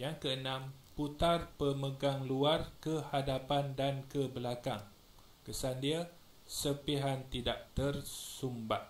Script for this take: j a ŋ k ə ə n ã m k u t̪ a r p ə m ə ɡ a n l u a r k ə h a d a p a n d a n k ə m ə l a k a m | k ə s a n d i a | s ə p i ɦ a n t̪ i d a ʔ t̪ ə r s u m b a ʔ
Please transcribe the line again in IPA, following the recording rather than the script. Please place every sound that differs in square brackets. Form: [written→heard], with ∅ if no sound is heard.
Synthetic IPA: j a ŋ k ə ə n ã m [k→p] u t̪ a r p ə m ə ɡ a [n→ŋ] l u a r k ə h a d a p a n d a n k ə [m→b] ə l a k a [m→ŋ] | k ə s a n d i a | s ə p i ɦ a n t̪ i d a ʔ t̪ ə r s u m b a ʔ